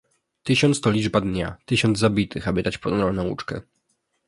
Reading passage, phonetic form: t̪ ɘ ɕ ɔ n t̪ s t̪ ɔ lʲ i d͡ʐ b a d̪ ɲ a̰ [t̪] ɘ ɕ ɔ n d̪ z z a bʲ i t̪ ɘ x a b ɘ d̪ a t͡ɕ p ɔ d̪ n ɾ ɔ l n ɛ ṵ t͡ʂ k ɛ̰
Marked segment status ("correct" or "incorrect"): correct